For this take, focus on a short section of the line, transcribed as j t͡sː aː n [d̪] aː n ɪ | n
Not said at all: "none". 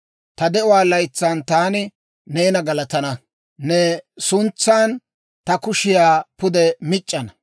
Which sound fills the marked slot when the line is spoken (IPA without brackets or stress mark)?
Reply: t̪